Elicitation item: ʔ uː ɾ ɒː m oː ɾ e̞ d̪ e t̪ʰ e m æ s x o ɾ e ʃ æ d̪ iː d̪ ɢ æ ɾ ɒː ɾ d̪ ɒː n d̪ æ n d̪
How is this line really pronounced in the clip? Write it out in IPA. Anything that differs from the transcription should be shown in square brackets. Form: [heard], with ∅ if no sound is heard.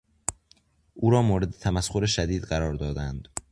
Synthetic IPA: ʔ uː ɾ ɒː m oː ɾ e̞ d̪ e t̪ʰ [æ] m æ s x o ɾ e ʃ æ d̪ iː d̪ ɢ æ ɾ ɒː ɾ d̪ ɒː [∅] d̪ æ n d̪